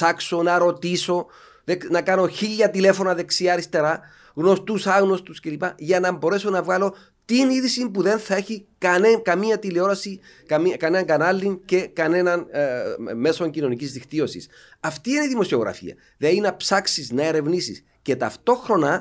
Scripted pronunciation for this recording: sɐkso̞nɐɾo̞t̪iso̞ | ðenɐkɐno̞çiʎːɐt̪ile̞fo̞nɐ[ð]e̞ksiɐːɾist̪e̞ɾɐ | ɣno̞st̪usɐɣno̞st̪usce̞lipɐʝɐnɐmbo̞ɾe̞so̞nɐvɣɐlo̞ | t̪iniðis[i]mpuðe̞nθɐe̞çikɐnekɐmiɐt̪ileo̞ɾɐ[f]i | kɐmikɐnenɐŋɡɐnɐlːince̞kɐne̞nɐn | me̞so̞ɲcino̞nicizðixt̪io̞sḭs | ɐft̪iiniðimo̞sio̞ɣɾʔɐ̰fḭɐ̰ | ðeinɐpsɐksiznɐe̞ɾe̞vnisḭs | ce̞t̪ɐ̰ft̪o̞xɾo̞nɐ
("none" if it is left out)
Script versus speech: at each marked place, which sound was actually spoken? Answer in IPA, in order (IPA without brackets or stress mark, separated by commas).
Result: ð, i, s